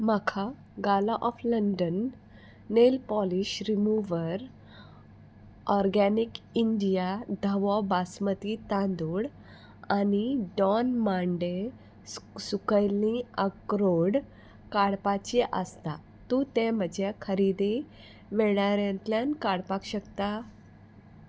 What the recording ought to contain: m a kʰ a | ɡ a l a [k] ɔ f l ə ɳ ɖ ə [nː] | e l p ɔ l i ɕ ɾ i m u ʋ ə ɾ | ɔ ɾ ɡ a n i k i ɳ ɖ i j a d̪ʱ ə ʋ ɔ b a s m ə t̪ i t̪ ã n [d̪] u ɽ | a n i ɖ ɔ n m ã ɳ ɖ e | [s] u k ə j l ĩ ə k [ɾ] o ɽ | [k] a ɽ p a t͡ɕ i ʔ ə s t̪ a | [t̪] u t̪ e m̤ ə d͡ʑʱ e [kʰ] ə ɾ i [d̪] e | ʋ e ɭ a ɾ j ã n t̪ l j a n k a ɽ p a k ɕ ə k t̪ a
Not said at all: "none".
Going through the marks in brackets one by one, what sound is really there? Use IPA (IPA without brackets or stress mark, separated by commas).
ʔ, nː, d̪, s, ɾ, k, t̪, kʰ, d̪